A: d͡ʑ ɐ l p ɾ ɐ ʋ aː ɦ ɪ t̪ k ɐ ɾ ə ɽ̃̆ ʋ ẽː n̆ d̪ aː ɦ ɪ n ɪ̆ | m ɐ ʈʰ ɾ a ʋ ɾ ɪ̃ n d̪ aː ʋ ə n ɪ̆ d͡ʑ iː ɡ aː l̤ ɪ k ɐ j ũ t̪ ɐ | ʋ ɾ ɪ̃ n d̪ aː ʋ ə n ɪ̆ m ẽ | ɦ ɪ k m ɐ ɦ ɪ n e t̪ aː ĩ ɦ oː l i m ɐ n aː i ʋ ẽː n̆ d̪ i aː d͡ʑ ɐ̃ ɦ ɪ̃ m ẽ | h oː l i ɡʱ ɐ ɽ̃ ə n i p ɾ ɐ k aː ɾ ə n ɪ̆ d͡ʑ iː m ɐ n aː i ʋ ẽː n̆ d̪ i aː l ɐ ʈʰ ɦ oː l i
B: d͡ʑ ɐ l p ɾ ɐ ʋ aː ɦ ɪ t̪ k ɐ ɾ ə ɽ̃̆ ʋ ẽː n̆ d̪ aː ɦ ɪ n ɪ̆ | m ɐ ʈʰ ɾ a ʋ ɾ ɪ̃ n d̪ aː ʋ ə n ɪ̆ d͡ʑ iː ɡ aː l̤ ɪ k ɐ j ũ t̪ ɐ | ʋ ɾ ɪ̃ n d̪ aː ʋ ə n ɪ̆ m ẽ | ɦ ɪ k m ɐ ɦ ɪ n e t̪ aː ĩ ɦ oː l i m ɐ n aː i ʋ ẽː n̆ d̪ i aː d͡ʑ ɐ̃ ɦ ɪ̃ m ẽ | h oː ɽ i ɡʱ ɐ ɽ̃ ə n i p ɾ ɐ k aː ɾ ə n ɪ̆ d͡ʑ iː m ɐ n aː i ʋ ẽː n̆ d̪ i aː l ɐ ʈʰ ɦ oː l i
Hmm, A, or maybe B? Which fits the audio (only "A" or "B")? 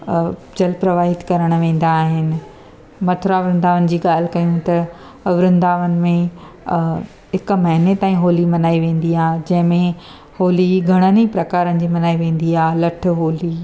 A